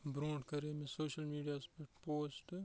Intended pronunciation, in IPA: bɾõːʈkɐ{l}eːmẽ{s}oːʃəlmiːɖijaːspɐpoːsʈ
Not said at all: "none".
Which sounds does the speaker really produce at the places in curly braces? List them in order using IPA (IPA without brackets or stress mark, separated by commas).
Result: ɾ, s